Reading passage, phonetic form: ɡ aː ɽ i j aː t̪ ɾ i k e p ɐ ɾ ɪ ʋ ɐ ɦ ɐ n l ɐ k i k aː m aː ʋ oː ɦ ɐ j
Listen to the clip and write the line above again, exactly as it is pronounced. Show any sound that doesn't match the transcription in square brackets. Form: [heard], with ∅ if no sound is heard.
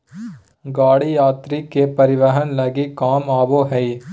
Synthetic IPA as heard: ɡ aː ɽ i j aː t̪ ɾ i k e p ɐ ɾ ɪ ʋ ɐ ɦ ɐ n l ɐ [ɡ] i k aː m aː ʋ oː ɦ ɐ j